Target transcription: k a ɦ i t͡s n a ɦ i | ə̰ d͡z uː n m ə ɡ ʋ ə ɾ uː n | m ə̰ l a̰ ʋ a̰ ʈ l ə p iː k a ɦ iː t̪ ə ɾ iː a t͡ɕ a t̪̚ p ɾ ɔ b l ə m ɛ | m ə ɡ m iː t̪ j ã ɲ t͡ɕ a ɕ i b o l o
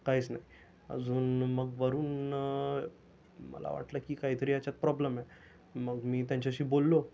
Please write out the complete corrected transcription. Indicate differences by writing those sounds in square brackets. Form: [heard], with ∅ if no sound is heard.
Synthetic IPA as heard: k a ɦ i t͡s n a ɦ i | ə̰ d͡z uː n m ə ɡ ʋ ə ɾ uː n | m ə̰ l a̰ ʋ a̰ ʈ l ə [k] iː k a ɦ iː t̪ ə ɾ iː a t͡ɕ a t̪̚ p ɾ ɔ b l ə m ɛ | m ə ɡ m iː t̪ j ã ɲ t͡ɕ a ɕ [iː] b o [lː] o

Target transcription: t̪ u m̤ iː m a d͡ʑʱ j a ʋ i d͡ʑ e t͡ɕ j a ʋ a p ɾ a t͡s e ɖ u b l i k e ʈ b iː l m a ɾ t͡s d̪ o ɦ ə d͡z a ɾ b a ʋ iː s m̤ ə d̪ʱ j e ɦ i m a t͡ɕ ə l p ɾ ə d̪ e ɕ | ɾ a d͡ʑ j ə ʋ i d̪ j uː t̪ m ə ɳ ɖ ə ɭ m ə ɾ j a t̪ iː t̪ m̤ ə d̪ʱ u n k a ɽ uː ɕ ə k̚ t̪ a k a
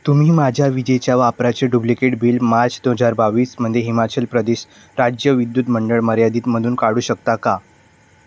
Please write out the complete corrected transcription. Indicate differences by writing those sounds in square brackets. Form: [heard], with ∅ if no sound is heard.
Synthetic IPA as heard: t̪ u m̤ iː m a d͡ʑʱ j a ʋ i d͡ʑ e t͡ɕ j a ʋ a p ɾ a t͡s e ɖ u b l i k e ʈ b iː l m a ɾ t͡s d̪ o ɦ ə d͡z a ɾ b a ʋ iː s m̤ ə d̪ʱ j e ɦ i m a t͡ɕ ə l p ɾ ə d̪ e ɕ | ɾ a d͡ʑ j ə ʋ i d̪ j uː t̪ m ə ɳ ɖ ə ɭ m ə ɾ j a [d̪] iː t̪ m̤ ə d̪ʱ [uː] n k a ɽ uː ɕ ə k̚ t̪ a k a

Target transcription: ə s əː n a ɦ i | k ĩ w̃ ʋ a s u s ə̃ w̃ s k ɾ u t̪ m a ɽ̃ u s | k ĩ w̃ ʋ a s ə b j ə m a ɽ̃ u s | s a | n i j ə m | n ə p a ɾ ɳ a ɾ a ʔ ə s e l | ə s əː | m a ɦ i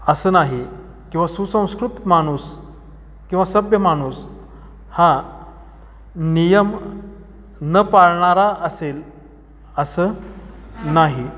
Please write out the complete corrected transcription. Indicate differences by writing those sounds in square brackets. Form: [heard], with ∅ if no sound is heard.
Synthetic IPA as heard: ə s əː n a ɦ i | k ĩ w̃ ʋ a s u s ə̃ w̃ s k ɾ u t̪ m a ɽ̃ u s | k ĩ w̃ ʋ a s ə b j ə m a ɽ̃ u s | [h] a | n i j ə m | n ə p a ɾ ɳ a ɾ a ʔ ə s e l | ə s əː | [n] a ɦ i

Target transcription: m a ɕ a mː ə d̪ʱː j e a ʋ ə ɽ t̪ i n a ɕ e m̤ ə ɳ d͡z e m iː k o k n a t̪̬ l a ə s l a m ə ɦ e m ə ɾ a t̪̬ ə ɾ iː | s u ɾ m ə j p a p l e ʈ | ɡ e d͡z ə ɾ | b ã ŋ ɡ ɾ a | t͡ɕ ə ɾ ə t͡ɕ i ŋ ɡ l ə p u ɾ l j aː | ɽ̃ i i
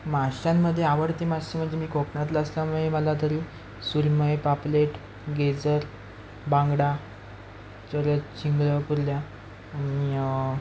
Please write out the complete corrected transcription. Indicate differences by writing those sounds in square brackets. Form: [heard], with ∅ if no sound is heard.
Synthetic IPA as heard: m a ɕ a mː ə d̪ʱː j e a ʋ ə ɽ t̪ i [m] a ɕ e m̤ ə ɳ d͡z e m iː k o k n a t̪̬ l a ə s l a m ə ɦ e m ə [l] a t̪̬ ə ɾ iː | s u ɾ m ə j p a p l e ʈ | ɡ e d͡z ə ɾ | b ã ŋ ɡ [ɽ] a | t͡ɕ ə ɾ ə t͡ɕ i ŋ ɡ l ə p u ɾ l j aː | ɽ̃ i i

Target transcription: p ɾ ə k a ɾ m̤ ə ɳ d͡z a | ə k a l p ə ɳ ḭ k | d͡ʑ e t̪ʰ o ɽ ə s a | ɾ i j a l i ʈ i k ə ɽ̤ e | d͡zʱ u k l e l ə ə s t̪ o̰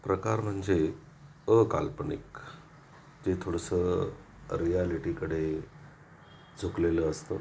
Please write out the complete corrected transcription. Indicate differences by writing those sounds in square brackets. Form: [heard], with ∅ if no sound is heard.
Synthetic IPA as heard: p ɾ ə k a ɾ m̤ ə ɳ d͡z [e] | ə k a l p ə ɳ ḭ k | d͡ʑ e t̪ʰ o ɽ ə s [ə] | ɾ i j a l i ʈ i k ə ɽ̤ e | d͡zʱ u k l e l ə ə s t̪ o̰

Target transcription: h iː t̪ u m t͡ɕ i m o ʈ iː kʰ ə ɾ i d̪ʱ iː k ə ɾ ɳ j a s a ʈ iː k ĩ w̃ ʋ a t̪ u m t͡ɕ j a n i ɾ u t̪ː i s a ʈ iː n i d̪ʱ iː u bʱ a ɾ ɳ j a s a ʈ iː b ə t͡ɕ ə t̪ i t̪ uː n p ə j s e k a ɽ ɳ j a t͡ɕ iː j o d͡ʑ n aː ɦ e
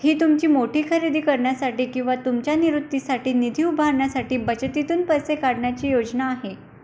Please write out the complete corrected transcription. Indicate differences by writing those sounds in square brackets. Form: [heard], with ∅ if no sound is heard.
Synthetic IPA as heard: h iː t̪ u m t͡ɕ [iː] m o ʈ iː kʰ ə ɾ i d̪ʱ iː k ə ɾ ɳ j a s a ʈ iː k ĩ w̃ ʋ a t̪ u m t͡ɕ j a n i ɾ u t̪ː i s a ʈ iː n i d̪ʱ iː u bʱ a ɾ ɳ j a s a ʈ iː b ə t͡ɕ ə t̪ i t̪ uː n p ə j s e k a ɽ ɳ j a t͡ɕ iː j o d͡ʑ n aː ɦ e

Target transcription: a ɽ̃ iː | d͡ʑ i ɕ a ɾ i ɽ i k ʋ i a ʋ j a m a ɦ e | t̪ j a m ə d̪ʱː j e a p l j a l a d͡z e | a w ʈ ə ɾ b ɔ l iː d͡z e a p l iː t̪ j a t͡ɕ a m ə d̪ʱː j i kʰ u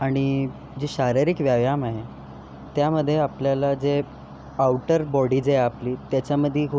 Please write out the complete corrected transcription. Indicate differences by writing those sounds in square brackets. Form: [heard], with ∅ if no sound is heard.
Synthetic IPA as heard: a ɽ̃ [i] | d͡ʑ i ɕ a ɾ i [ɾ] i k ʋ [j] a ʋ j a m a ɦ e | t̪ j a m ə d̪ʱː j e a p l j a l a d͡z e | a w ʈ ə ɾ b ɔ [ɽ] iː d͡z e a p l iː t̪ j a t͡ɕ a m ə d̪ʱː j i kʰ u

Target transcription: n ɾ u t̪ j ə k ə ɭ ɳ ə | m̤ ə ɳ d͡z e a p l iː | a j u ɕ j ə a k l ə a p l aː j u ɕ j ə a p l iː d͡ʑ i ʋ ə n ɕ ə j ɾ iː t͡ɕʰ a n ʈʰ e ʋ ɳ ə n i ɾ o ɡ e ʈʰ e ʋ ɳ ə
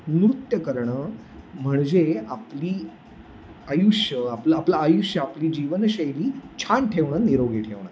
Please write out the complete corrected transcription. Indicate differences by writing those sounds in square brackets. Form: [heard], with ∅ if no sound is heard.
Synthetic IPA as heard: n ɾ u t̪ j ə k ə [ɾ] ɳ ə | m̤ ə ɳ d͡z e a p l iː | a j u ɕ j ə a [p] l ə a p l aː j u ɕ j ə a p l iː d͡ʑ i ʋ ə n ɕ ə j ɾ iː t͡ɕʰ a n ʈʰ e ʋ ɳ ə n i ɾ o ɡ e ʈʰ e ʋ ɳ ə

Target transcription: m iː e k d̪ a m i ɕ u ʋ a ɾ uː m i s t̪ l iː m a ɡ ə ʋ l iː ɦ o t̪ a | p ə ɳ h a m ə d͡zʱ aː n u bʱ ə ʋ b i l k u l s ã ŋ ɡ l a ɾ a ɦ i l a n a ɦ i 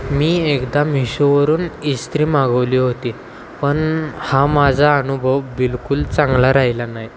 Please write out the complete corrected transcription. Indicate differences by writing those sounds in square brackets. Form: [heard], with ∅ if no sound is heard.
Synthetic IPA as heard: m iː e k d̪ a m i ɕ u ʋ [ə] ɾ uː [n] i s t̪ [ɾ] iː m a ɡ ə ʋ l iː ɦ o t̪ [i] | p ə ɳ h a m [a] d͡zʱ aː n u bʱ ə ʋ b i l k u l [t͡s] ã ŋ ɡ l a ɾ a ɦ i l a n a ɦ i

